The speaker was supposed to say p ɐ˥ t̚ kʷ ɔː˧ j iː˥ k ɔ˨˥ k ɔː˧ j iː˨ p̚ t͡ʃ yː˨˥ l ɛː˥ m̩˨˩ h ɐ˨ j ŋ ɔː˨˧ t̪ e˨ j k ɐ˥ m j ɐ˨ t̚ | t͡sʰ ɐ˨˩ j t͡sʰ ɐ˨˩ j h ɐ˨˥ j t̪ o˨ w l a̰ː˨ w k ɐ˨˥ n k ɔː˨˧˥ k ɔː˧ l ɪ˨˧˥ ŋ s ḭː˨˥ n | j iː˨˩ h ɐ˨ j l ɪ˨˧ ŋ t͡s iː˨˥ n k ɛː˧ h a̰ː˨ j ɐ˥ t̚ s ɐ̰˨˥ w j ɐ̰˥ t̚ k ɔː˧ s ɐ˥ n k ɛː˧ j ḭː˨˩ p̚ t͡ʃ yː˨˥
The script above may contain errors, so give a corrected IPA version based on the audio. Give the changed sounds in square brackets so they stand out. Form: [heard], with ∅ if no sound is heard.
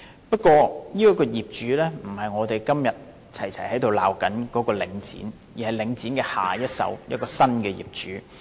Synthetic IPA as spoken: p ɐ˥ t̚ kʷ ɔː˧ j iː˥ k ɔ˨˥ k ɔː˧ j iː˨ p̚ t͡ʃ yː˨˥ l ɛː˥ m̩˨˩ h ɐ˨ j ŋ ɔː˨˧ t̪ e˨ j k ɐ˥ m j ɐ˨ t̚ | t͡sʰ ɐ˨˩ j t͡sʰ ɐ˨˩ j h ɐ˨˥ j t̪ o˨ w l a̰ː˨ w k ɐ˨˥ n k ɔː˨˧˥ k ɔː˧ l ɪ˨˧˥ ŋ [t͡s] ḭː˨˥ n | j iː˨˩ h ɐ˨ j l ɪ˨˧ ŋ t͡s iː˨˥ n k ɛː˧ h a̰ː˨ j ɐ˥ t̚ s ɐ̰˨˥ w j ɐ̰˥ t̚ k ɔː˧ s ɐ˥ n k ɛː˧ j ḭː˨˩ p̚ t͡ʃ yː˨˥